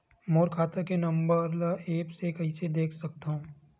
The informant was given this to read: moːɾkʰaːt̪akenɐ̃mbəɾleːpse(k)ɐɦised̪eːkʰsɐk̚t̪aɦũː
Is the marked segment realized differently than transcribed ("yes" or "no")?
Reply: no